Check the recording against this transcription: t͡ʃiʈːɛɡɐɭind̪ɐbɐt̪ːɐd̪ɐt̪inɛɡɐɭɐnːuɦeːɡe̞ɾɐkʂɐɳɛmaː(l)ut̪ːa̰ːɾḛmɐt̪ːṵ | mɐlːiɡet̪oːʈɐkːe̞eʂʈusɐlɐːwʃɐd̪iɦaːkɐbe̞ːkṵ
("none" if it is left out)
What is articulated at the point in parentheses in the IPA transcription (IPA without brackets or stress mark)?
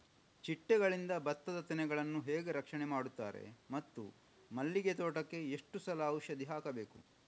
ɽ